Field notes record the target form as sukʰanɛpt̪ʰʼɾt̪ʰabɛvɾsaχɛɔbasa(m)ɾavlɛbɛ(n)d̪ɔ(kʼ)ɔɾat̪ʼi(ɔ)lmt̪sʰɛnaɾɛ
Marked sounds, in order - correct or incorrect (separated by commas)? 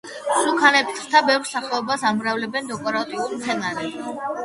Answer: correct, correct, correct, incorrect